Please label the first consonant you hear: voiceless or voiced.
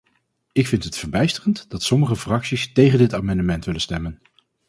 voiceless